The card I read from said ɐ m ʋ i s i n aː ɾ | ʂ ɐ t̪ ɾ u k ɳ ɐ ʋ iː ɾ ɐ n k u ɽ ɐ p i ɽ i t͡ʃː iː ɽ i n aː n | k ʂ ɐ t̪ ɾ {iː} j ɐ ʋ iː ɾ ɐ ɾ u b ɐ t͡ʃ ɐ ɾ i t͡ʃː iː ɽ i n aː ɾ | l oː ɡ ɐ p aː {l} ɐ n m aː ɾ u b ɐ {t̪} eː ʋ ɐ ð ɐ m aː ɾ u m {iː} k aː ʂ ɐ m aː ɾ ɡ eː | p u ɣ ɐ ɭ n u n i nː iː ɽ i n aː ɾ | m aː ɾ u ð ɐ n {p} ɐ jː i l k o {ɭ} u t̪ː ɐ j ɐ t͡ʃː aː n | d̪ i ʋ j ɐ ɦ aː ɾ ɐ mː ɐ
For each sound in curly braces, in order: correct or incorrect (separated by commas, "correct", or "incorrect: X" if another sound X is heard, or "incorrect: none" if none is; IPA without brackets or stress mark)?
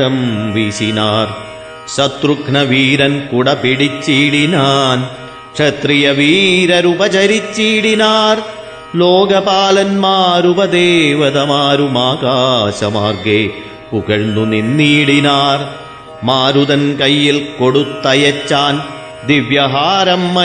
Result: incorrect: i, correct, incorrect: d̪, incorrect: aː, incorrect: k, incorrect: ɽ